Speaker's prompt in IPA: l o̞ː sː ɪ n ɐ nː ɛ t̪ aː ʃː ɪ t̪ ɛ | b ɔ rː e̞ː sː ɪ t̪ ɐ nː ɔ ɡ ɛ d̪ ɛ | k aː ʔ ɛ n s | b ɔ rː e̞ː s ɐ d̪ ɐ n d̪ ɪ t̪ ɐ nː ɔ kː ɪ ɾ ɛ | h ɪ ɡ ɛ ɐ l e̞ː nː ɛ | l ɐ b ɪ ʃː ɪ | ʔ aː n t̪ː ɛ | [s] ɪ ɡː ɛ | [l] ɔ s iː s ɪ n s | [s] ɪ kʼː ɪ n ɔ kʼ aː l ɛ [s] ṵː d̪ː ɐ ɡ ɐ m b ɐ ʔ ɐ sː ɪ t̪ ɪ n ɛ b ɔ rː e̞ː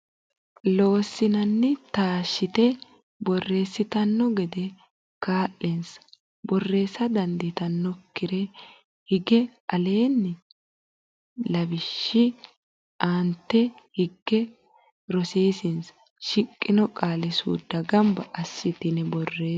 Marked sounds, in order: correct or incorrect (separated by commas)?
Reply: incorrect, incorrect, incorrect, correct